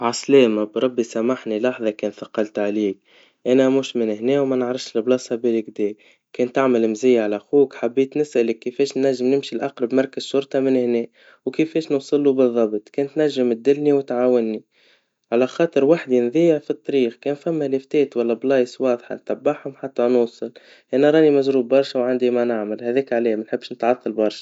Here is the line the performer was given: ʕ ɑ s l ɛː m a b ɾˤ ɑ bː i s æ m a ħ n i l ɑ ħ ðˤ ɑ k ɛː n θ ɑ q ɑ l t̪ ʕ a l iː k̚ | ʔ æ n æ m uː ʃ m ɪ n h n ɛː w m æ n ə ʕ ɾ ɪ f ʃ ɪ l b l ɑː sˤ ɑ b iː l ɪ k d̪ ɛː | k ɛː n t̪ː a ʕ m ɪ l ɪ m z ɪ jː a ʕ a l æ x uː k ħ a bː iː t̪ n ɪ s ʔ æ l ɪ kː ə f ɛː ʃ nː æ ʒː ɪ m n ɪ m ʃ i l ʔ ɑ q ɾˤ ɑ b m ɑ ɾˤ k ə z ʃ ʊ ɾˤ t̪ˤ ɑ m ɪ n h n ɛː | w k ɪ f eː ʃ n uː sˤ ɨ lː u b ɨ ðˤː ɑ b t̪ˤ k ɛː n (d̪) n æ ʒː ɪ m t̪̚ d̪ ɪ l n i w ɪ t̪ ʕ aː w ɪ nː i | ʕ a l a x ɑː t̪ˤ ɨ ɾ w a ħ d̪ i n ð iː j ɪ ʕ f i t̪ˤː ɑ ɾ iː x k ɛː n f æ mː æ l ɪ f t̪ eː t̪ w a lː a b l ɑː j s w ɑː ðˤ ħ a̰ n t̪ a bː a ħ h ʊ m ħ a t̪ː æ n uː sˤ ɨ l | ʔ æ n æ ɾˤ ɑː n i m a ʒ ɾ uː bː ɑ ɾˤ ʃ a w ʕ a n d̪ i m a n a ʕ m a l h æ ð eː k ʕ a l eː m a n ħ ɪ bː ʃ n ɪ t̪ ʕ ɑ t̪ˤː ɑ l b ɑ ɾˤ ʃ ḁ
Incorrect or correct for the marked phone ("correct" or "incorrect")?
incorrect